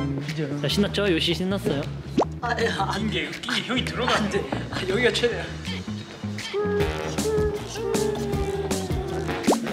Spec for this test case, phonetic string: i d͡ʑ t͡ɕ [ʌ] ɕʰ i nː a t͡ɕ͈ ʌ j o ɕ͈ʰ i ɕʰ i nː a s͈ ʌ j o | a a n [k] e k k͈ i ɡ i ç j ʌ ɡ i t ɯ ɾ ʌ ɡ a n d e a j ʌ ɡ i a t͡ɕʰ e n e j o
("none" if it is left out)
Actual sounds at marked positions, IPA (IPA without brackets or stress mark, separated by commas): a, ɡ